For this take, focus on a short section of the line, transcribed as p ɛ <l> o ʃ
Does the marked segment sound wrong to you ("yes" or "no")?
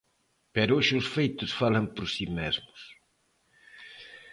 yes